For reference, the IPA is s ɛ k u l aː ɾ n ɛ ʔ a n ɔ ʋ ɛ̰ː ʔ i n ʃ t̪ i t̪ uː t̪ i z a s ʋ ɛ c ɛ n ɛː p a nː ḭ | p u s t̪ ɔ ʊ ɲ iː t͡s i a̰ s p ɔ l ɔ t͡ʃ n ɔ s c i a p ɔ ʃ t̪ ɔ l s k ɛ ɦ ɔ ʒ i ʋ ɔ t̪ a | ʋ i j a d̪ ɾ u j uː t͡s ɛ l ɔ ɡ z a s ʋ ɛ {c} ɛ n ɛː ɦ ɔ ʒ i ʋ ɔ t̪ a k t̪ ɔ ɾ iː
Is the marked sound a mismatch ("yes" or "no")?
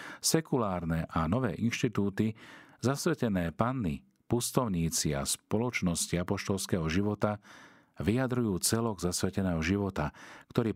no